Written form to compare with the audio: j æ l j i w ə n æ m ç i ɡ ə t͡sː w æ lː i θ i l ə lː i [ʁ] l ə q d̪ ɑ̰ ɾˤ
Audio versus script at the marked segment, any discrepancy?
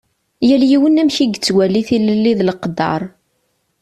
yes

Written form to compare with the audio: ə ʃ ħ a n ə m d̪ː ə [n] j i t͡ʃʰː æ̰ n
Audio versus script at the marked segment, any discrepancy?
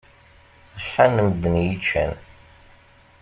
no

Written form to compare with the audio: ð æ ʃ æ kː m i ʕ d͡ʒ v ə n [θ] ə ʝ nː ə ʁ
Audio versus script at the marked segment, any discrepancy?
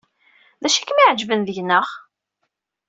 yes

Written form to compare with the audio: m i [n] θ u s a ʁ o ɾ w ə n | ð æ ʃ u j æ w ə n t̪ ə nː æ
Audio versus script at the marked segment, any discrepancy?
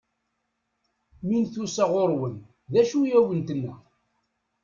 no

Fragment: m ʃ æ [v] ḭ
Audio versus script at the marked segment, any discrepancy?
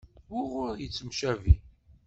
no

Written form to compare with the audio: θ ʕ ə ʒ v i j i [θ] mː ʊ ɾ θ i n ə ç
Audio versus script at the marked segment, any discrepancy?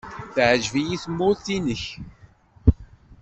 no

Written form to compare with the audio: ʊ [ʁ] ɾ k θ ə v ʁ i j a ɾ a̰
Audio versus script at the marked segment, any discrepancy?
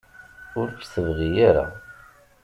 yes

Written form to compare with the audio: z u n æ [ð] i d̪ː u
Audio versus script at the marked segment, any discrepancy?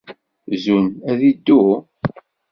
no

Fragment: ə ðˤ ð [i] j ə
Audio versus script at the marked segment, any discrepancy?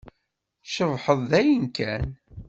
yes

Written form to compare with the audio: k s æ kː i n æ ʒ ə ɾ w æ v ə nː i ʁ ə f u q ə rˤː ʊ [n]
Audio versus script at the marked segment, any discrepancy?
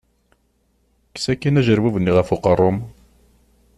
yes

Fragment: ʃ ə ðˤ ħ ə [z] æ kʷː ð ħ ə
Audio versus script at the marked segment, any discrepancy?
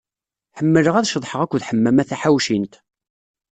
yes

